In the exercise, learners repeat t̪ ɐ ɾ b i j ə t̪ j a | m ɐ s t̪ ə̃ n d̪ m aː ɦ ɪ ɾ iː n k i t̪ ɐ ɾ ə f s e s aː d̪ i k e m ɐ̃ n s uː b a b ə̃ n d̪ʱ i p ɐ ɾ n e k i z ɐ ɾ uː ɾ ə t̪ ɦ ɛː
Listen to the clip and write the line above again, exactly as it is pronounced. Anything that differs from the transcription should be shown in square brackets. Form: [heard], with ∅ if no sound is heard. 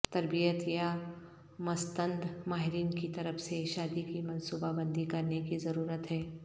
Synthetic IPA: t̪ ɐ ɾ b i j ə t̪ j a | m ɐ s t̪ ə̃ n d̪ m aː ɦ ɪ ɾ iː n k i t̪ ɐ ɾ ə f s e [ʃ] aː d̪ i k [i] m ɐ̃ n s uː b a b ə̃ n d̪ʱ i [k] ɐ ɾ n e k i z ɐ ɾ uː ɾ ə t̪ ɦ ɛː